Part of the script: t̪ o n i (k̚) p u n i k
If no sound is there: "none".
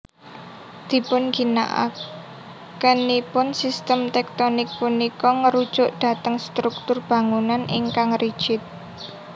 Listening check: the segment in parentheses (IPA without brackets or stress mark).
k̚